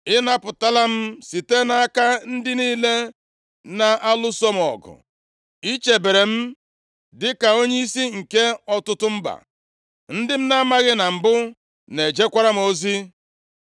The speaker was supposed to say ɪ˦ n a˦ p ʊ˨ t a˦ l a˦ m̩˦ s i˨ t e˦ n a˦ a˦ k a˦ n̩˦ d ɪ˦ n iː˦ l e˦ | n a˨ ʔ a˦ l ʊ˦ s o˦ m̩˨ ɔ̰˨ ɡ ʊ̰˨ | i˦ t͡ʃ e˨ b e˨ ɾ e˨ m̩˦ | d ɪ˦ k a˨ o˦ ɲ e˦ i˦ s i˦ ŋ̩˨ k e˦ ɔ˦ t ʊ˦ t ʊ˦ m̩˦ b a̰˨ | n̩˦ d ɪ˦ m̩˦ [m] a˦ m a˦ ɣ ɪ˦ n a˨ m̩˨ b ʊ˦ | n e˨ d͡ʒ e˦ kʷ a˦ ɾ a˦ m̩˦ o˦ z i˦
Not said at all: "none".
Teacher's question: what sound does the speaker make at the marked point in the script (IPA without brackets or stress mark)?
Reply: n